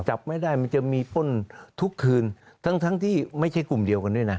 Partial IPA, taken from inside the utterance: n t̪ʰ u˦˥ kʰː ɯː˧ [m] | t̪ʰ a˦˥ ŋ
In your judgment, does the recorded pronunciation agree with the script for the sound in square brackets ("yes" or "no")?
no